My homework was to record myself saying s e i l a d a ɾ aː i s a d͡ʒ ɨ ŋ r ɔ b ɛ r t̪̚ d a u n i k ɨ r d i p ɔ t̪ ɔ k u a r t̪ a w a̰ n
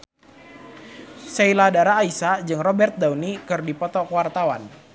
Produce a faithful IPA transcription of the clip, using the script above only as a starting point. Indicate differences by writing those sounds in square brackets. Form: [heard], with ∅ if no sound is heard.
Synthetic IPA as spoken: s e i l a d a ɾ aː i s a d͡ʒ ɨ ŋ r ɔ b ɛ r t̪̚ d a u n i k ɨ r d i p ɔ t̪ ɔ k [w] a r t̪ a w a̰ n